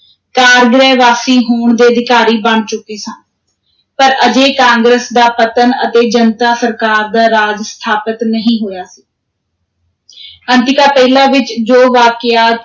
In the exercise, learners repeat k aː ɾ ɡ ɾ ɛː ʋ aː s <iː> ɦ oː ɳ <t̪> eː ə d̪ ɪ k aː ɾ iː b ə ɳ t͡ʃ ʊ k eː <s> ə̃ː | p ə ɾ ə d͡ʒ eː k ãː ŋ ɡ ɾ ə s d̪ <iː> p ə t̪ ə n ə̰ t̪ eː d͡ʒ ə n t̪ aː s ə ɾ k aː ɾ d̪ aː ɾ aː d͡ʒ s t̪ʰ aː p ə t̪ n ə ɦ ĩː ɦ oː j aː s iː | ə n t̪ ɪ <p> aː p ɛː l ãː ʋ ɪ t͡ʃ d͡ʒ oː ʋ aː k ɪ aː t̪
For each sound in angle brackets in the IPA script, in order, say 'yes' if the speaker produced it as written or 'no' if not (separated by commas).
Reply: yes, no, yes, no, no